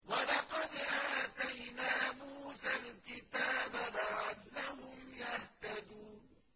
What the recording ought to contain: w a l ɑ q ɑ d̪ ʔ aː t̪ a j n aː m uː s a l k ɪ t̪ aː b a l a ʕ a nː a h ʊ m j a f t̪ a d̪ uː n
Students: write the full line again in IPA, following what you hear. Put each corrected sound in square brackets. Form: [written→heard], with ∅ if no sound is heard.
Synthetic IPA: w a l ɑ q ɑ d̪ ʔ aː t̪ a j n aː m uː s a l k ɪ t̪ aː b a l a ʕ a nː a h ʊ m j a [f→h] t̪ a d̪ uː n